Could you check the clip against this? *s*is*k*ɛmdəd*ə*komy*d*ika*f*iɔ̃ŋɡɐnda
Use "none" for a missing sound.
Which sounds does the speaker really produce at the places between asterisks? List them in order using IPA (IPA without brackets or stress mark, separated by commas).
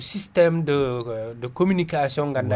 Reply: s, t, ə, n, s